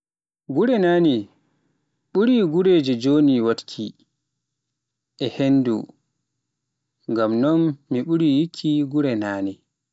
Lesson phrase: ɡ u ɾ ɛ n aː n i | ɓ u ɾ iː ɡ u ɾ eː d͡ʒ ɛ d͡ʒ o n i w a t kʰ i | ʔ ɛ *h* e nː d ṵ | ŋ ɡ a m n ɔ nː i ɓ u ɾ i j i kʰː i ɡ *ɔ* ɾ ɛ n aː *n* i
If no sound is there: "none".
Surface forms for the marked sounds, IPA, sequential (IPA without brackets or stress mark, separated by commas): h, u, n